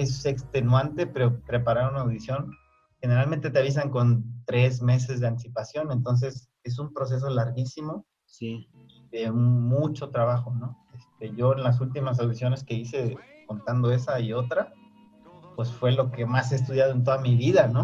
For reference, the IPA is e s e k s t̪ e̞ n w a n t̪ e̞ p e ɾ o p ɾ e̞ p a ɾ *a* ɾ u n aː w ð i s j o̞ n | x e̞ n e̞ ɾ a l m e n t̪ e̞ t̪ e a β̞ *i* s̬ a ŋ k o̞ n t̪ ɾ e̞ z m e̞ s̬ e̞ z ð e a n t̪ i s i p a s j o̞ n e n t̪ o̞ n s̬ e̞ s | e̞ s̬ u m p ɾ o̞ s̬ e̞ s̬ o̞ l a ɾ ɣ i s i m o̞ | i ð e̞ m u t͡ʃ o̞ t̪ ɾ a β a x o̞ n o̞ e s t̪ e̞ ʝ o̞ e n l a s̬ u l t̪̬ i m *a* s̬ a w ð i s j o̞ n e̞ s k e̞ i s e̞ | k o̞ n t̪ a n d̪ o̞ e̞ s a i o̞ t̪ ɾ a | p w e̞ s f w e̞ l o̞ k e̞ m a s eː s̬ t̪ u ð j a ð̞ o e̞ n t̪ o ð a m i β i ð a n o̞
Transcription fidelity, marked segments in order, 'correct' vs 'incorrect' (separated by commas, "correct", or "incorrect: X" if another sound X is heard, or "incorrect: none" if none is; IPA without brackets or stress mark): correct, correct, correct